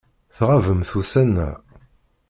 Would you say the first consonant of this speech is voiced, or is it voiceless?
voiceless